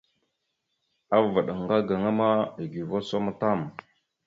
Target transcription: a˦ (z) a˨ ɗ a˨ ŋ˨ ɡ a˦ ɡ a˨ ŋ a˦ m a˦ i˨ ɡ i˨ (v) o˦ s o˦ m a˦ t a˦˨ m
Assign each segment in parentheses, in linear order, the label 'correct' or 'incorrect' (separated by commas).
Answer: incorrect, correct